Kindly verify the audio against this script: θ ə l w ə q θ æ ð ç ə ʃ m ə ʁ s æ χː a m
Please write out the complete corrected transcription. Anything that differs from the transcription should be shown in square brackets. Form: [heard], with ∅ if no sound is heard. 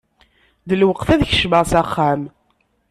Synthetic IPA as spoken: [ð] ə l w ə q θ æ ð ç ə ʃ m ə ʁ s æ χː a m